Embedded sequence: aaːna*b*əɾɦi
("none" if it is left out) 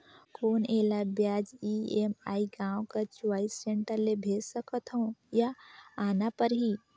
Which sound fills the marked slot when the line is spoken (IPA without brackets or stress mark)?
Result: p